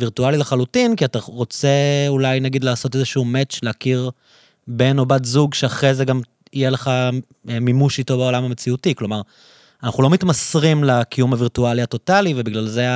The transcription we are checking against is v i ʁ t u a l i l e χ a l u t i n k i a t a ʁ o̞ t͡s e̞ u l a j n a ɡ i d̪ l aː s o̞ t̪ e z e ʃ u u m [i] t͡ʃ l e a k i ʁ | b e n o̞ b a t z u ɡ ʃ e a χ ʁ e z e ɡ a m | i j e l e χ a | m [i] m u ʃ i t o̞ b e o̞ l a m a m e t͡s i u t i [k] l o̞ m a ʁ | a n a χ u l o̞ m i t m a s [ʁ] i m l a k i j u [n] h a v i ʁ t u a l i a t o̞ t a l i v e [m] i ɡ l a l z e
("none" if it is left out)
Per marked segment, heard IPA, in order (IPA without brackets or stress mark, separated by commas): e, i, k, ʁ, m, b